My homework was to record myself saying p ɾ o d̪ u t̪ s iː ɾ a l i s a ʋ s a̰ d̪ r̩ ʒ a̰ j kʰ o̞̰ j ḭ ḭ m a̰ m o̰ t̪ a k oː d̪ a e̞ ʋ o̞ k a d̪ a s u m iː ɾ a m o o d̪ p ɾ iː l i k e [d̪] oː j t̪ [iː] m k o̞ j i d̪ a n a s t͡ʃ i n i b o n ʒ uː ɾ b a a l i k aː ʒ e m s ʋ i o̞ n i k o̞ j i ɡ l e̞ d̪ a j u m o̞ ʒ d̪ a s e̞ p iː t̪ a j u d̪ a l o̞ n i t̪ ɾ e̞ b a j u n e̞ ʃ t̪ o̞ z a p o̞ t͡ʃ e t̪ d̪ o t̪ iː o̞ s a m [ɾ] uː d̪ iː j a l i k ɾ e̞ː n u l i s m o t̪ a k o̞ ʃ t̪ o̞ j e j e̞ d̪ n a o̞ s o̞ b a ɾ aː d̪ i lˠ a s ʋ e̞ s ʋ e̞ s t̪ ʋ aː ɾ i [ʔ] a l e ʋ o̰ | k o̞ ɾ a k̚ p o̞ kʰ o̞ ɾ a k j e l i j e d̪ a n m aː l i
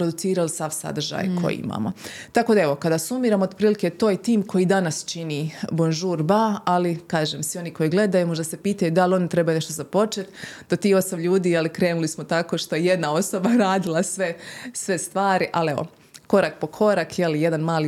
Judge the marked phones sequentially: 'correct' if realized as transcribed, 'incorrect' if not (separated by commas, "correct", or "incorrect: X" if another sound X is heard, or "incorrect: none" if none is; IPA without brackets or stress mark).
incorrect: t̪, correct, incorrect: ʎ, correct